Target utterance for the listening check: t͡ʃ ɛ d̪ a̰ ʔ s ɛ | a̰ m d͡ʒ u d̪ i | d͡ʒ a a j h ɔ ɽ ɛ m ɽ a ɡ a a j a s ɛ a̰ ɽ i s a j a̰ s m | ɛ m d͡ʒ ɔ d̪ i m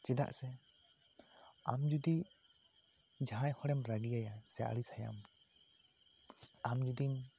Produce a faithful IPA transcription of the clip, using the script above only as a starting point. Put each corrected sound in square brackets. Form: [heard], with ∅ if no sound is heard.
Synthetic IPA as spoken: t͡ʃ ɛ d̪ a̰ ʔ s ɛ | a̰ m d͡ʒ u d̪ i | d͡ʒ a a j h ɔ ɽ ɛ m [ɾ] a ɡ [i] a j a s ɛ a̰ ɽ i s a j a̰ [∅] m | [a] m d͡ʒ [u] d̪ i m